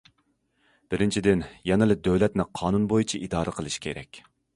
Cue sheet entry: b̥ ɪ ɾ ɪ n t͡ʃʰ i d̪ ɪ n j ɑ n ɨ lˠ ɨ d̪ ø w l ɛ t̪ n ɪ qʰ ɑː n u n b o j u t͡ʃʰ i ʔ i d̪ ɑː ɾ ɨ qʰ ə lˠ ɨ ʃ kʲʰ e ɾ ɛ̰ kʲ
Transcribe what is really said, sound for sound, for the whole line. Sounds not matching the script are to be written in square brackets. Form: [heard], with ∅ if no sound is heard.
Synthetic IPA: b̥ ɪ ɾ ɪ n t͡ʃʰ i d̪ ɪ n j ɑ n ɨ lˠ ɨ d̪ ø w l ɛ t̪ n ɪ qʰ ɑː n u n b o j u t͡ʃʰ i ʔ i d̪ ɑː ɾ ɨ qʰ ə lˠ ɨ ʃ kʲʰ e ɾ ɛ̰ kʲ